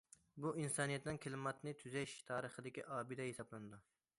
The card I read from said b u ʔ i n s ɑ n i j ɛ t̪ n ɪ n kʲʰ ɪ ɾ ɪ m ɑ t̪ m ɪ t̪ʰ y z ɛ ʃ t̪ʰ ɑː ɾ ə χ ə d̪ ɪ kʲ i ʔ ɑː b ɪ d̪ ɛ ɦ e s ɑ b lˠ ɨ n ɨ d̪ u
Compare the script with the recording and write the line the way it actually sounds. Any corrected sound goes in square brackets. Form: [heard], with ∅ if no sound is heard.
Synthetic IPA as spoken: b u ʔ i n s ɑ n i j ɛ t̪ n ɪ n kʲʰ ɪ [l] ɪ m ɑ t̪ [n] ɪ t̪ʰ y z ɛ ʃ t̪ʰ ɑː ɾ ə χ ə d̪ ɪ kʲ i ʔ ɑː b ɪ d̪ ɛ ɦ e s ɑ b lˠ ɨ n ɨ d̪ u